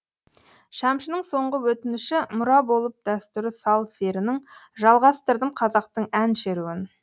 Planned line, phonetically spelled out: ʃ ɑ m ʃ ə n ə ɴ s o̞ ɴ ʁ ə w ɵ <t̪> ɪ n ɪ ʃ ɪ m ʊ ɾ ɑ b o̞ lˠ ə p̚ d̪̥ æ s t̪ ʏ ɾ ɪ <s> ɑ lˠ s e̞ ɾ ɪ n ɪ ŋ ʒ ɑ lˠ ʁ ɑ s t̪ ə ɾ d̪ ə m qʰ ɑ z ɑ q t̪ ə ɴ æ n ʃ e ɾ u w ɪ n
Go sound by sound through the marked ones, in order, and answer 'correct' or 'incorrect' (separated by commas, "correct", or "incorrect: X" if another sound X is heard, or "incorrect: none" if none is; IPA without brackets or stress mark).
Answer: correct, correct